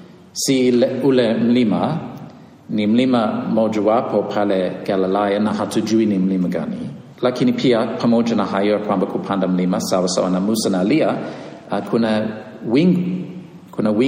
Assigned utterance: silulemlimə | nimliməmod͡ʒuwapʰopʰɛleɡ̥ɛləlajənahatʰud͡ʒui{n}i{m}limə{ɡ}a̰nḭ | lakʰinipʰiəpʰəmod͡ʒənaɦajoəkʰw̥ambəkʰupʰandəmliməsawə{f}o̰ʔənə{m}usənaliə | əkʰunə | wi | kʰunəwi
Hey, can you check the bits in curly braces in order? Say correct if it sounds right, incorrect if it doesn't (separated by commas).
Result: correct, correct, correct, incorrect, correct